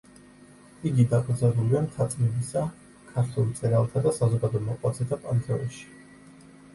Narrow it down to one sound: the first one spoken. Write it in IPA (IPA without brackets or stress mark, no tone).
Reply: i